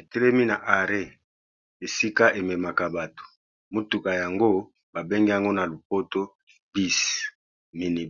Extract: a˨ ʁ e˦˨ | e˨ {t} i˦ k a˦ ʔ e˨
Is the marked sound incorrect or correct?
incorrect